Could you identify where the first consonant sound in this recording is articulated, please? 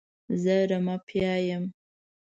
alveolar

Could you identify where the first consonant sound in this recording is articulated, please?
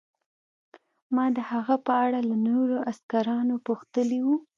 labial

